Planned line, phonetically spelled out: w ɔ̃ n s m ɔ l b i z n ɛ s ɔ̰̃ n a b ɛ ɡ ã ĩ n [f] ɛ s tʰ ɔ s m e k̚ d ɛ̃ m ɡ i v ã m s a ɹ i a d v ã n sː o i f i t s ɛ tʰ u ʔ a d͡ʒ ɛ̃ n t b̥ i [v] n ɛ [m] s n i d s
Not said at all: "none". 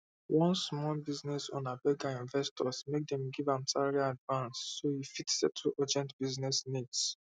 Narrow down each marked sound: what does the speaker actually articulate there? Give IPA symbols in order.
v, z, none

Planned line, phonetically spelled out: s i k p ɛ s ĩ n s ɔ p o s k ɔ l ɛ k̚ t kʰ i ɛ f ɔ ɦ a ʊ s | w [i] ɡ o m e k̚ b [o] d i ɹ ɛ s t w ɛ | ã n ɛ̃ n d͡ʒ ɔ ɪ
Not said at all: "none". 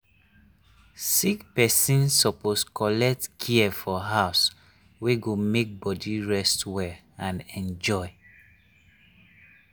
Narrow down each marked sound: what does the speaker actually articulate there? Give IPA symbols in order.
e, ɔ

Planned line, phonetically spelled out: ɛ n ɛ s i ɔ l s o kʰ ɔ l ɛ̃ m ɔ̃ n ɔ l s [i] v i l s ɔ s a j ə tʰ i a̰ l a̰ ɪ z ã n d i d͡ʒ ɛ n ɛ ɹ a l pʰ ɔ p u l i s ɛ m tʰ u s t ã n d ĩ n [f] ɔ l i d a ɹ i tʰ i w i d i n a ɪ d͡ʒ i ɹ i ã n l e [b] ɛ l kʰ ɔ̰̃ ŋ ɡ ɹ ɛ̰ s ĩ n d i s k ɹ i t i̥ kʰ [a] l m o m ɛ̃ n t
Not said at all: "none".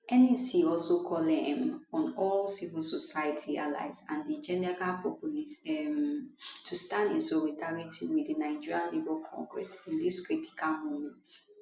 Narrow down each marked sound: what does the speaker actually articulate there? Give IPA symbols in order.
i, s, b, a

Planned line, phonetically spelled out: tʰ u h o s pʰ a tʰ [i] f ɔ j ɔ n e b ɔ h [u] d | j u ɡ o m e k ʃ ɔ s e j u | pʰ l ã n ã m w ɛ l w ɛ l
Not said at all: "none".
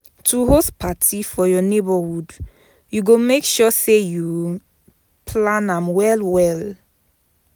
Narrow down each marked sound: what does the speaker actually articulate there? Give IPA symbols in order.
i, u

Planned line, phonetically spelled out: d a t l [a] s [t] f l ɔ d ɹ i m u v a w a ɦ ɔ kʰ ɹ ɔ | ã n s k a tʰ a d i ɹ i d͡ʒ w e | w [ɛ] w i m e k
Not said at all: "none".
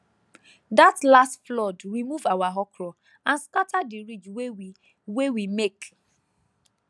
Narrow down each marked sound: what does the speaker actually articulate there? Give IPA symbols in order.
a, t, e

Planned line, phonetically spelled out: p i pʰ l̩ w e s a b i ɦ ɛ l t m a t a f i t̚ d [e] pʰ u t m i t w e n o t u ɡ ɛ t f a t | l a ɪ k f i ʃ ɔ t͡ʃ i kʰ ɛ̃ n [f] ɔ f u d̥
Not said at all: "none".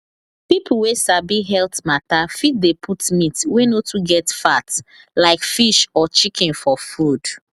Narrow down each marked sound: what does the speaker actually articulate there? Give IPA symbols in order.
e, f

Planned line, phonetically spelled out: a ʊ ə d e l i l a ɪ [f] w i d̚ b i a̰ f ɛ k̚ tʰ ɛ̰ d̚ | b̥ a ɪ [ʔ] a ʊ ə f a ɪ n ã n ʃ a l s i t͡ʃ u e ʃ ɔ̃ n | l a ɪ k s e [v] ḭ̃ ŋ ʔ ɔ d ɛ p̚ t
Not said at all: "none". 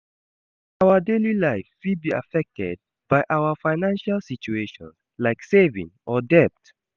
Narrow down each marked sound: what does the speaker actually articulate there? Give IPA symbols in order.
f, ʔ, v

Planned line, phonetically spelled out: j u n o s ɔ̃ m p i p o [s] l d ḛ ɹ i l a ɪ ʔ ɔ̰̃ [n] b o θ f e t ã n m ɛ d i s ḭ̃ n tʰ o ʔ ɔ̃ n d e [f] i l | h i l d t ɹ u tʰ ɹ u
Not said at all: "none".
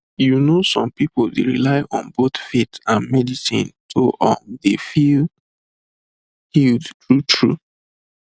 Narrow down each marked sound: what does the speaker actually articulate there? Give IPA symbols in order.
none, n, f

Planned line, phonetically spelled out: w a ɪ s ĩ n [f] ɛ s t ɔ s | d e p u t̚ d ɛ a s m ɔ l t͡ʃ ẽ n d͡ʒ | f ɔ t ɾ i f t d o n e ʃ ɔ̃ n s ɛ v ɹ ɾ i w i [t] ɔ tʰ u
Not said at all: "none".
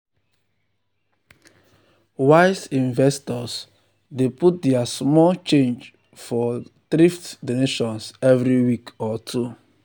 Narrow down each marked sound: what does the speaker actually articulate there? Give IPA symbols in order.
v, k

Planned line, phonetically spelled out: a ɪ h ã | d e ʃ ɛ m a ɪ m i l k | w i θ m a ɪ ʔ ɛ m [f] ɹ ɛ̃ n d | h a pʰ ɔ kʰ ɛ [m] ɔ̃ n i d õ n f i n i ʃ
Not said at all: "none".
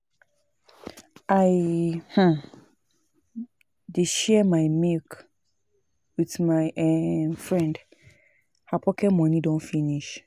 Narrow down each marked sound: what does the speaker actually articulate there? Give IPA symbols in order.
f, m

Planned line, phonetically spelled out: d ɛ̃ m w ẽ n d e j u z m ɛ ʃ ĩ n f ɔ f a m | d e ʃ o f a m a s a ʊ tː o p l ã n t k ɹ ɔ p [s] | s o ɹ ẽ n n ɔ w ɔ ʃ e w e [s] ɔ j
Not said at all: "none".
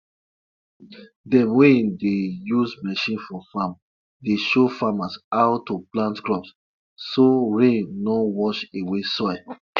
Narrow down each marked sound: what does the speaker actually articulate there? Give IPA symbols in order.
s, s

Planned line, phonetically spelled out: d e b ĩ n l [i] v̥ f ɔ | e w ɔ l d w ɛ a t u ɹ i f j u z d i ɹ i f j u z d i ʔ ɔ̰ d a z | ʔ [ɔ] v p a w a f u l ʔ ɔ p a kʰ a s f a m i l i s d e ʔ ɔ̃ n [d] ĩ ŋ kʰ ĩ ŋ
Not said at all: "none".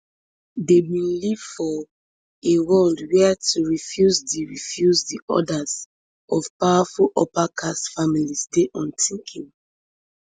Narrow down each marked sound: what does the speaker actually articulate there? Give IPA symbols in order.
i, ɔ, t

